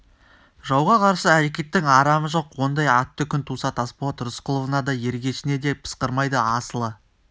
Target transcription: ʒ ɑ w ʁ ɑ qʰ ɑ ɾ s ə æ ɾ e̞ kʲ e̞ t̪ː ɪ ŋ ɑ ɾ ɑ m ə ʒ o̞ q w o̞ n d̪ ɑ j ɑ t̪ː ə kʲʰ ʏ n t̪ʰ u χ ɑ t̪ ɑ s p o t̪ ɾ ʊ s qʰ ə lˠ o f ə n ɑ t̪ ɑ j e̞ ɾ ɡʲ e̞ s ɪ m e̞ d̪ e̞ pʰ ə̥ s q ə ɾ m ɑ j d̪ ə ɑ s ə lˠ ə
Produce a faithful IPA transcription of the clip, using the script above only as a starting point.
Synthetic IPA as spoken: ʒ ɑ w ʁ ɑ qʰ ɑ ɾ s ə æ ɾ e̞ kʲ e̞ t̪ː ɪ ŋ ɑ ɾ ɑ m ə ʒ o̞ q w o̞ n d̪ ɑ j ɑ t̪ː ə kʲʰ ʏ n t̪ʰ u s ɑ t̪ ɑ s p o t̪ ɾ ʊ s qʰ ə lˠ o v ə n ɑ d̪ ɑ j e̞ ɾ ɡʲ e̞ ʃ ɪ n e̞ d̪ e̞ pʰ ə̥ s q ə ɾ m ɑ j d̪ ə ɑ s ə lˠ ə